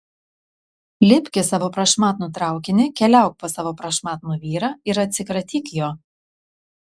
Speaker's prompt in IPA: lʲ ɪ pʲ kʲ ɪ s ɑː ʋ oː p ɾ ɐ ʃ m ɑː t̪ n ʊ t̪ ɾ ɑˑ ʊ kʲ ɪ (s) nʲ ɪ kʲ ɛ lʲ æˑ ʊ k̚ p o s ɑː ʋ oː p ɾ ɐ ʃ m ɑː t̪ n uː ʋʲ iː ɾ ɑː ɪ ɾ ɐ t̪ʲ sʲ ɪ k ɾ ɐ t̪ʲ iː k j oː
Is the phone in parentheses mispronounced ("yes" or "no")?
yes